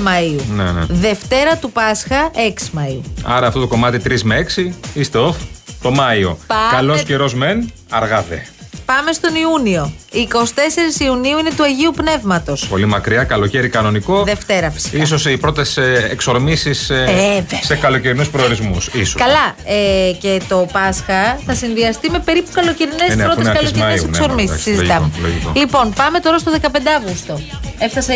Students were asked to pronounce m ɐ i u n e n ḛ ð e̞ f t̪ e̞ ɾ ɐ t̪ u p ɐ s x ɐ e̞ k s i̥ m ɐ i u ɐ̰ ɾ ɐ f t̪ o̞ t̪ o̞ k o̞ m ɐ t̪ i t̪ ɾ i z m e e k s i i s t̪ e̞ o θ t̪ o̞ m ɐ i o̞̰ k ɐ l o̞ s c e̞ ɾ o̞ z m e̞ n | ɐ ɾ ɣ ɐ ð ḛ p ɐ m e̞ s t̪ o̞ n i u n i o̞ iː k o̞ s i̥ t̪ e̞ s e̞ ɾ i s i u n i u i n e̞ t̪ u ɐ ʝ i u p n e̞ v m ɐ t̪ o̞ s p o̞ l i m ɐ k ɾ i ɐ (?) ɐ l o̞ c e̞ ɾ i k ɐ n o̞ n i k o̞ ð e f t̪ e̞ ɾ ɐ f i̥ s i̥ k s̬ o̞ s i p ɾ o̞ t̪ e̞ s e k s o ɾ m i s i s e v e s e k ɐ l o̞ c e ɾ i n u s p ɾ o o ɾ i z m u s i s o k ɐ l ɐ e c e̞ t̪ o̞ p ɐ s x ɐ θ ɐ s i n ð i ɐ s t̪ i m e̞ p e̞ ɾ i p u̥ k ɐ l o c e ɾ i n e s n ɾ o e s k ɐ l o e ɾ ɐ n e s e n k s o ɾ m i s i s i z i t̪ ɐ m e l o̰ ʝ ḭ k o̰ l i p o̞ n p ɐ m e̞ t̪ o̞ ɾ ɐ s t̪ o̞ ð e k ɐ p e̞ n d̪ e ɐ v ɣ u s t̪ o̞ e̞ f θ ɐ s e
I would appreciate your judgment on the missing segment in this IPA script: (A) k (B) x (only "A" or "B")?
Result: A